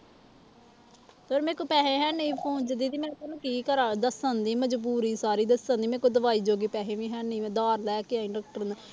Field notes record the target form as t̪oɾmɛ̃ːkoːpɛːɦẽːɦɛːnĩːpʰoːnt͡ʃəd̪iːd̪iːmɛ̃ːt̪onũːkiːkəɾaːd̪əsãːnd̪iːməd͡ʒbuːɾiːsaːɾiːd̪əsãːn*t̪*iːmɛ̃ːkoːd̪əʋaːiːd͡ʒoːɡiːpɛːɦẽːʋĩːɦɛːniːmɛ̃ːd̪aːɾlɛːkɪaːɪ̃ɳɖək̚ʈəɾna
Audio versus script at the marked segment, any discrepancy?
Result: yes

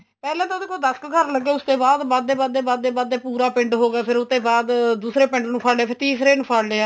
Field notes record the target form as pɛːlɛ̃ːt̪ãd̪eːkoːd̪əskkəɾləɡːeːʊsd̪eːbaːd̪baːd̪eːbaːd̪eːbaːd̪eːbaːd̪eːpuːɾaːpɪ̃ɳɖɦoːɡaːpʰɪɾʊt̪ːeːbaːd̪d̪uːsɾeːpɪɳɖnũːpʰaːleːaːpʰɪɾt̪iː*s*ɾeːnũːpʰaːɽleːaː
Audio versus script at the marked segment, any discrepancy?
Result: no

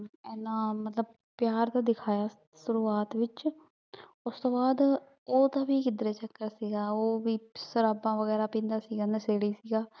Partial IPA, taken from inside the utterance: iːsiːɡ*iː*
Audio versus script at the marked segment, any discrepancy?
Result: yes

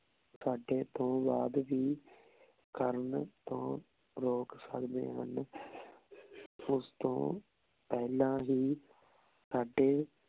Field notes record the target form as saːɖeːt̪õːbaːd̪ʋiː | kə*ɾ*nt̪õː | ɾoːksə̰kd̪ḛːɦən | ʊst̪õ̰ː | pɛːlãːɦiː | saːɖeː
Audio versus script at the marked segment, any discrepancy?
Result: no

